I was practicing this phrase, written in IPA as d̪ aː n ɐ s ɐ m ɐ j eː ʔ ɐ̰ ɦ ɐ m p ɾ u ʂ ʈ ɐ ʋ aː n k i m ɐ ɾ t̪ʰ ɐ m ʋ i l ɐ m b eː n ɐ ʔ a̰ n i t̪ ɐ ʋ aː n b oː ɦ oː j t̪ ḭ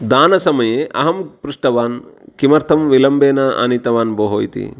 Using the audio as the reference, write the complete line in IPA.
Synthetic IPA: d̪ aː n ɐ s ɐ m ɐ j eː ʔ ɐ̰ ɦ ɐ m p ɾ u ʂ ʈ ɐ ʋ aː n k i m ɐ ɾ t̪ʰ ɐ m ʋ i l ɐ m b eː n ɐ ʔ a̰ n i t̪ ɐ ʋ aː n b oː ɦ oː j t̪ ḭ